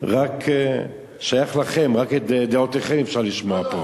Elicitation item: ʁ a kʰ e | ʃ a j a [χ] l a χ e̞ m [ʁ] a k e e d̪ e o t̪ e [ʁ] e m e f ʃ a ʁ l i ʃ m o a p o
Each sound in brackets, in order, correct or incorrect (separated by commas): correct, correct, incorrect